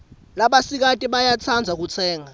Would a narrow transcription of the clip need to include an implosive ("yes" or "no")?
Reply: yes